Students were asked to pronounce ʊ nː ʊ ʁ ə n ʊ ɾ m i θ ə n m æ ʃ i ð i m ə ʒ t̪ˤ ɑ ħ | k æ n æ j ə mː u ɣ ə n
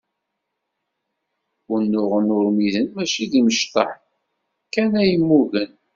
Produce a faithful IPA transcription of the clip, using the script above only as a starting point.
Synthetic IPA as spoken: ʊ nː ʊ ʁ ə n ʊ ɾ m i ð ə n m æ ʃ i ð i m ə ʃ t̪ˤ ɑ ħ | k æ n æ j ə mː u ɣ ə n